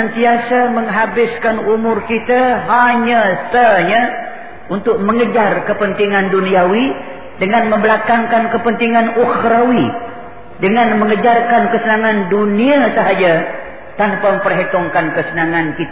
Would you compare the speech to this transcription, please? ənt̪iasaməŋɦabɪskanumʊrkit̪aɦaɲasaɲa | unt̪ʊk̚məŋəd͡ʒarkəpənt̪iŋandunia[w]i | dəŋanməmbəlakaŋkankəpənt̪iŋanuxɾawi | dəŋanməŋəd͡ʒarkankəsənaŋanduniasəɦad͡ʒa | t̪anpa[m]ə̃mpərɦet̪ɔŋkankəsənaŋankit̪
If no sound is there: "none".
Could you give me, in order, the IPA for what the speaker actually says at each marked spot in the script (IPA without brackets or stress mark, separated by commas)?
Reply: w, m